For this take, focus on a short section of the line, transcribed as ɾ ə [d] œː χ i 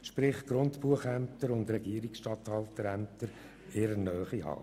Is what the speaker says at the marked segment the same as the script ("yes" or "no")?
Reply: no